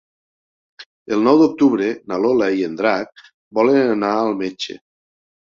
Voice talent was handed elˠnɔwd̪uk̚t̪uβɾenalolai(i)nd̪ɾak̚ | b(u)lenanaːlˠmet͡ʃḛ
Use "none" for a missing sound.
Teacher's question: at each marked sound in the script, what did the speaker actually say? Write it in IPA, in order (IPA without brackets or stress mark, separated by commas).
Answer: e, ɔ